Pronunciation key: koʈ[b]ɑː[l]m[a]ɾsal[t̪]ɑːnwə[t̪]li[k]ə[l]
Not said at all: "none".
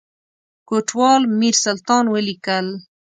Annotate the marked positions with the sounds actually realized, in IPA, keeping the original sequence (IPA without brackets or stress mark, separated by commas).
w, l, i, t̪, none, k, l